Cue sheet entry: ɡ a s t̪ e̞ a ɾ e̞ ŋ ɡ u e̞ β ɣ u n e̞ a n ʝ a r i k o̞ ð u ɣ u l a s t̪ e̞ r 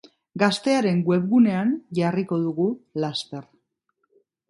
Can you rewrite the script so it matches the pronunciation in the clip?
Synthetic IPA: ɡ a s t̪ e̞ a ɾ e̞ ŋ ɡ w e̞ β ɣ u n e̞ a n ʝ a r i k o̞ ð u ɣ u l a s t̪ e̞ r